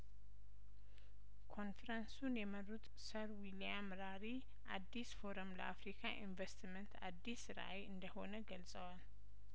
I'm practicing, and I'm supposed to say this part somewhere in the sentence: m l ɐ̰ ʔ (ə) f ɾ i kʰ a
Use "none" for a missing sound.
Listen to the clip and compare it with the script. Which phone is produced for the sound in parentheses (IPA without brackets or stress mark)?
a